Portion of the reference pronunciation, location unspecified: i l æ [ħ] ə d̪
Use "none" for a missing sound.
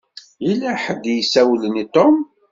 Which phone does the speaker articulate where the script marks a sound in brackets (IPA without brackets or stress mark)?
ħ